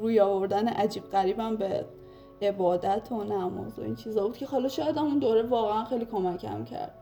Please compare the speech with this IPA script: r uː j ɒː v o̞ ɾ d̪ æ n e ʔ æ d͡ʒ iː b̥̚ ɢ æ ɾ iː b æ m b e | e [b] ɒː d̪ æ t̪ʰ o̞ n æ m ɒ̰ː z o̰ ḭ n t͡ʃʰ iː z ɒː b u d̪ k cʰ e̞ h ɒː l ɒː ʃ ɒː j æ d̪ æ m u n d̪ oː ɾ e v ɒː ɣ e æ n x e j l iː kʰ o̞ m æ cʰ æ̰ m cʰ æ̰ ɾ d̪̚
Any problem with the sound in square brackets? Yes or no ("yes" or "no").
no